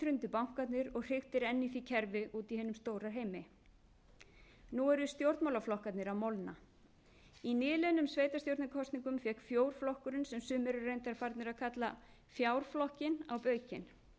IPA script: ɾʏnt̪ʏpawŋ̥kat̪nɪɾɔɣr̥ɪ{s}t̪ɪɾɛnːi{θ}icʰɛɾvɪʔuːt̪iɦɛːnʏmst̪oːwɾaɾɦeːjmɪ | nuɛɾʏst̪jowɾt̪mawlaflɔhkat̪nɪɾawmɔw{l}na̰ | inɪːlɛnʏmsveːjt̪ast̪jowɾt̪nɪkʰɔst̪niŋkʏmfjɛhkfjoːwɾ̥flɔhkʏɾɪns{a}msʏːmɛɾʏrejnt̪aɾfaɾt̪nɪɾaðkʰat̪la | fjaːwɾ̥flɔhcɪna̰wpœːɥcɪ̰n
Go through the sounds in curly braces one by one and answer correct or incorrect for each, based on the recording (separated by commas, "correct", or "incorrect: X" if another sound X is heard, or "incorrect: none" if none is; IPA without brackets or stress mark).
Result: incorrect: x, correct, correct, incorrect: ɛ